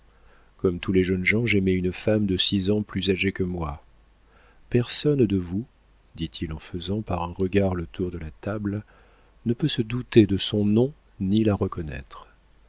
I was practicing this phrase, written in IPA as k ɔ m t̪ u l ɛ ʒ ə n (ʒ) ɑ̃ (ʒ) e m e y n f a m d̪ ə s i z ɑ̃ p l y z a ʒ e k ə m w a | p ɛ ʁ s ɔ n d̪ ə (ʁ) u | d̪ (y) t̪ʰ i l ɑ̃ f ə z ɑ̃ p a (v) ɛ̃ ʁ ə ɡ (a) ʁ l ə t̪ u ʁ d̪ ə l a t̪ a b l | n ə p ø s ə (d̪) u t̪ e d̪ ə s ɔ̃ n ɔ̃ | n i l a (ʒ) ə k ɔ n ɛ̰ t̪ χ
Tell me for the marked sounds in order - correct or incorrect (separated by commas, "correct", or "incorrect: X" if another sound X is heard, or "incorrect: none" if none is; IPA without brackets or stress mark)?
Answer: correct, correct, incorrect: v, incorrect: i, incorrect: ʁ, correct, correct, incorrect: ʁ